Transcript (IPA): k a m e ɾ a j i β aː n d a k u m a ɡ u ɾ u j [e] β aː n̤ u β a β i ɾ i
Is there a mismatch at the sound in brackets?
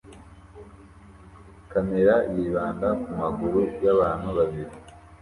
yes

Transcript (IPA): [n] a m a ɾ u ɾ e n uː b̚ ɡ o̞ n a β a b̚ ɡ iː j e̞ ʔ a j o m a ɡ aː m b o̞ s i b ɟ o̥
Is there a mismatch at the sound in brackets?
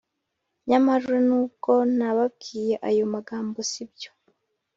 yes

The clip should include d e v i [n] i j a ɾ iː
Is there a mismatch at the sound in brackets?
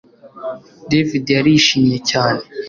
yes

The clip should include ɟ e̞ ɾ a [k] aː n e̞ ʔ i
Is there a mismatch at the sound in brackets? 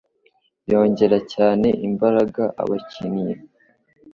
yes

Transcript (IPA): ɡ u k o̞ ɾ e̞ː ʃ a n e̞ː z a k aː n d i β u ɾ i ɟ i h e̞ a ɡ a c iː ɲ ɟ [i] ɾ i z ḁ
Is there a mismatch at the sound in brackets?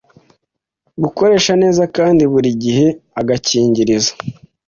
no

